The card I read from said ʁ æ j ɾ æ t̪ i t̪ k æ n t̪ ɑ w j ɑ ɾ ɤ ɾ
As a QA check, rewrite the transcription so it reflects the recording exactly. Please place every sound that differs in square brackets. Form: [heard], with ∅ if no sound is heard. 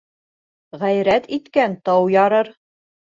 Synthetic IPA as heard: ʁ æ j ɾ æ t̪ i t̪ k æ n t̪ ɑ w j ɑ ɾ ɤ ɾ